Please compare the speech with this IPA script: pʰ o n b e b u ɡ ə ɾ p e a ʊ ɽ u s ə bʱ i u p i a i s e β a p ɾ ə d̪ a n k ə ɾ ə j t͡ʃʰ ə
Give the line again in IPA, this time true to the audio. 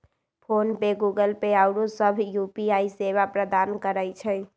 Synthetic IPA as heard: pʰ o n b e ɡ u ɡ ə l p e a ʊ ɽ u s ə bʱ j u p i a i s e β a p ɾ ə d̪ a n k ə ɾ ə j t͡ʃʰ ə